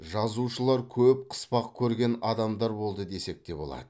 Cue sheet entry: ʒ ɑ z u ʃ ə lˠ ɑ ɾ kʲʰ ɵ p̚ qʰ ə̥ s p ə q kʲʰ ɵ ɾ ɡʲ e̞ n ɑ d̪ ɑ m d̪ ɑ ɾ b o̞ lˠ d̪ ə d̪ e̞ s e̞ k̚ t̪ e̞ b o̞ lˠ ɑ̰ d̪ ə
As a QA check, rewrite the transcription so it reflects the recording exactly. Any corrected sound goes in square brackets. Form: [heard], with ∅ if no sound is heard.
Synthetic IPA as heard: ʒ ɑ z u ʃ ə lˠ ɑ ɾ kʲʰ ɵ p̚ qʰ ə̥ s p [ɑ] q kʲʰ ɵ ɾ ɡʲ e̞ n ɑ d̪ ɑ m d̪ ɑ ɾ b o̞ lˠ d̪ ə d̪ e̞ s e̞ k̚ t̪ e̞ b o̞ lˠ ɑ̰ d̪ ə